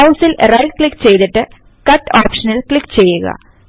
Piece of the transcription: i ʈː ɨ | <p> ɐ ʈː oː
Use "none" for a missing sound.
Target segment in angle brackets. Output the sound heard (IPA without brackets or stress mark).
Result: k